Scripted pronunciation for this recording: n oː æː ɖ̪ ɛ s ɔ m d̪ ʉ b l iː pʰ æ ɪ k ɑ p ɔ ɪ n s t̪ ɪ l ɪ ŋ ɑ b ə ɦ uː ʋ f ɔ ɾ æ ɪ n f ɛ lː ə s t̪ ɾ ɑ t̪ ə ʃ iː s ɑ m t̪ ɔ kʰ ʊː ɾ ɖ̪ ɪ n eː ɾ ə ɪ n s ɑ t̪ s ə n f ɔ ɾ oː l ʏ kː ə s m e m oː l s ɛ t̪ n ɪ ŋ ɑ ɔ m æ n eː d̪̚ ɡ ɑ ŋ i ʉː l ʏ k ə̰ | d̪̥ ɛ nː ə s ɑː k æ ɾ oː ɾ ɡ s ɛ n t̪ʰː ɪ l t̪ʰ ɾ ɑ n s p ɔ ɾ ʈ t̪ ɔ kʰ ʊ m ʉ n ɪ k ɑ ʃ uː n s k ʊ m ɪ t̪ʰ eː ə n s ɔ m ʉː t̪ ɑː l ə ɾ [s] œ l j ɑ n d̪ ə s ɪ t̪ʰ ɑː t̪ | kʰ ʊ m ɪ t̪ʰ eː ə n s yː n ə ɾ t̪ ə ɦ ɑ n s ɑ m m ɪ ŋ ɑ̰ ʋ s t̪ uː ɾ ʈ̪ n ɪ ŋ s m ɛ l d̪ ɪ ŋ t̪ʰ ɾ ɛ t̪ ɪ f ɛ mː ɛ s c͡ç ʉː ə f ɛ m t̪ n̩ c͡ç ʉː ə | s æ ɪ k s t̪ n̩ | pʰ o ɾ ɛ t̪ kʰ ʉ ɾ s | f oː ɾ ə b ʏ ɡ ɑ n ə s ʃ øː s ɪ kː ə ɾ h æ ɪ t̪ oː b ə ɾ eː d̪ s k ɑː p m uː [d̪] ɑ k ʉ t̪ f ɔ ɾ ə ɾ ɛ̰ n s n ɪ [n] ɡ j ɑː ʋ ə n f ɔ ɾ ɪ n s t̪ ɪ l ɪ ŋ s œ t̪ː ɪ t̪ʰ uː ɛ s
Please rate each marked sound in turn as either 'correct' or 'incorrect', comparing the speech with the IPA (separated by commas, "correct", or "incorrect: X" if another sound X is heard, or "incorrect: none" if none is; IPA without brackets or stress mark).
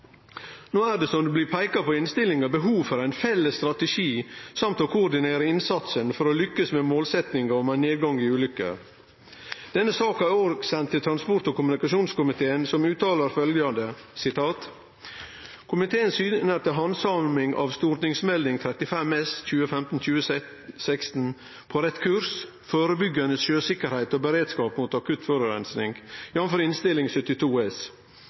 incorrect: f, incorrect: t̪, incorrect: ŋ